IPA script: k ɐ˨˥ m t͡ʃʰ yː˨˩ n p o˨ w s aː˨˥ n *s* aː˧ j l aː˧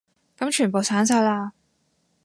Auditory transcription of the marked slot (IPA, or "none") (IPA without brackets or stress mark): s